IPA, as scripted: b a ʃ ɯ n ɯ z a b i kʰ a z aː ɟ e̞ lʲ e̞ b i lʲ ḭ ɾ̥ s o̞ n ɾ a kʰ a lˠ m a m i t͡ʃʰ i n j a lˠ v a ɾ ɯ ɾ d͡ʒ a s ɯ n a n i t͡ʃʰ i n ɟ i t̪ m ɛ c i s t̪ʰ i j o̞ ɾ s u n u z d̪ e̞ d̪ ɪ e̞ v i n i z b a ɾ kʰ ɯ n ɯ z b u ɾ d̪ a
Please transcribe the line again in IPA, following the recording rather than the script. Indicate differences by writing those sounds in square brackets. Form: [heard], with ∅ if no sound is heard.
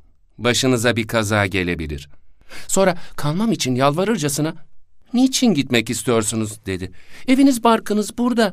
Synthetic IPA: b a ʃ ɯ n ɯ z a b i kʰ a z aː ɟ e̞ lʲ e̞ b i lʲ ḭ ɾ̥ s o̞ n ɾ a kʰ a lˠ m a m i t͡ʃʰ i n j a lˠ v a ɾ ɯ ɾ d͡ʒ a s ɯ n a n i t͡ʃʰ i n ɟ i t̪ m ɛ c i s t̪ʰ i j o̞ ɾ s u n u z d̪ e̞ d̪ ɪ e̞ v i n i z b a ɾ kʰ ɯ n ɯ z b u ɾ d̪ a